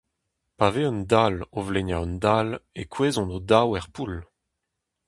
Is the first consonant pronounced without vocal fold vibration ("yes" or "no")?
yes